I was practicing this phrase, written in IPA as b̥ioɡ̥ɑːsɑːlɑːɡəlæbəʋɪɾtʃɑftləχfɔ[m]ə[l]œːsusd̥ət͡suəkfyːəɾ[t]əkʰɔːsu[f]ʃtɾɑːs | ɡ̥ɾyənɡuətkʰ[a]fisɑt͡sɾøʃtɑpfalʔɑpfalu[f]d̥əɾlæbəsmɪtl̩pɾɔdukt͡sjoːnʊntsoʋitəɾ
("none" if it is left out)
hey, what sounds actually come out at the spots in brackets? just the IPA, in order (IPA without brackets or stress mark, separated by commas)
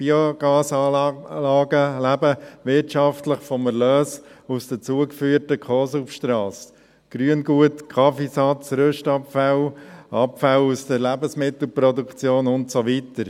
m, l, t, f, ɑ, s